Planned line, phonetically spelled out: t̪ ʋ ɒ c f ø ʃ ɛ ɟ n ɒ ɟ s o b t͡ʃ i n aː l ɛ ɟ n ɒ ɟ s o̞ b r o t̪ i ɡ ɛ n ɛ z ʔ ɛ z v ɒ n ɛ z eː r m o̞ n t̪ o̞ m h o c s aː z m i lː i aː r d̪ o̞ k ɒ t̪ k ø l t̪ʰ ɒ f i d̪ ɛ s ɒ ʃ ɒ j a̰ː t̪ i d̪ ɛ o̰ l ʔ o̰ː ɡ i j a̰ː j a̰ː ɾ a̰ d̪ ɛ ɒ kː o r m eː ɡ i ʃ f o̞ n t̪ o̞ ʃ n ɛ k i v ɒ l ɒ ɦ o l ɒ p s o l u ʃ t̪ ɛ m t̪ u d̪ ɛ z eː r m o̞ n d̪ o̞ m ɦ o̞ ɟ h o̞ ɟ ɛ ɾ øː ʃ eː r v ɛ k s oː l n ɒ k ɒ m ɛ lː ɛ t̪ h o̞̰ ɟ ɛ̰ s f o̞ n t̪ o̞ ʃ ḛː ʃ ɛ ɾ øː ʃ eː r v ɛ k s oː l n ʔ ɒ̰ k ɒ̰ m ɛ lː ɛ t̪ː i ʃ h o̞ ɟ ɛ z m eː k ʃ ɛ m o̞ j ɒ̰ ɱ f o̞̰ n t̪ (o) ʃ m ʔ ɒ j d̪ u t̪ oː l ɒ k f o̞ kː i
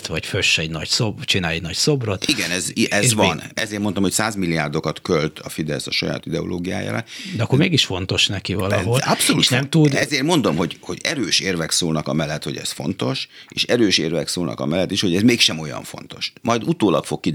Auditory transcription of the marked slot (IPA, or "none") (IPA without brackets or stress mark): o